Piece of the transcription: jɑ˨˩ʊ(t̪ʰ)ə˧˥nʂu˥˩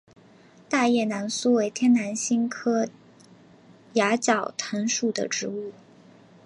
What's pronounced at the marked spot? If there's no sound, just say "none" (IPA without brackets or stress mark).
t̪ʰ